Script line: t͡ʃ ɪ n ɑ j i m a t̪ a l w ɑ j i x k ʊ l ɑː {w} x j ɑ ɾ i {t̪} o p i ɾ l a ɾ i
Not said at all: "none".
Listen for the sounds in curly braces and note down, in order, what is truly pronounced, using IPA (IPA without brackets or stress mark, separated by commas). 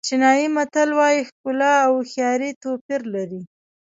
w, t̪